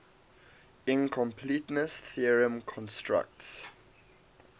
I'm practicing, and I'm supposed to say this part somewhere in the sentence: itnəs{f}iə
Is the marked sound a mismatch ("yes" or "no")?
yes